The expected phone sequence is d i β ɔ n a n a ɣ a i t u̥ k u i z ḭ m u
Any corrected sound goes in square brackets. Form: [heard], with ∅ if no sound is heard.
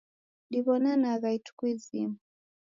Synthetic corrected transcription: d i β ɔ n a n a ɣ a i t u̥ k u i z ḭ m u